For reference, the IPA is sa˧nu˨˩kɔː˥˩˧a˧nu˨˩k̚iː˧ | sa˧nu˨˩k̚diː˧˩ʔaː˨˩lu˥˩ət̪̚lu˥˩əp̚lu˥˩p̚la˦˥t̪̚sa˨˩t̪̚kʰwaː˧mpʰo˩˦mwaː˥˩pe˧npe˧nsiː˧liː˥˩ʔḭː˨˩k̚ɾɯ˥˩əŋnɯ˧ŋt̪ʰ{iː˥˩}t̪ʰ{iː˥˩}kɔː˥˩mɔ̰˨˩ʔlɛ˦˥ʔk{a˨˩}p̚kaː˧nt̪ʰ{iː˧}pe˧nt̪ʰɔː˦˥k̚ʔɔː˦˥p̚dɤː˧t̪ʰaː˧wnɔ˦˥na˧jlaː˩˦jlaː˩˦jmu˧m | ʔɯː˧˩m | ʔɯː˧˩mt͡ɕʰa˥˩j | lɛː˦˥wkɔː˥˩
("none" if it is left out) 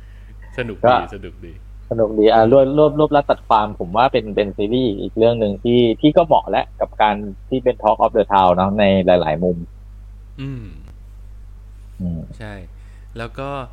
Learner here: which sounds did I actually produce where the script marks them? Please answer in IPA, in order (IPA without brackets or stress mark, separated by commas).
iː˥˩, iː˥˩, a˨˩, iː˥˩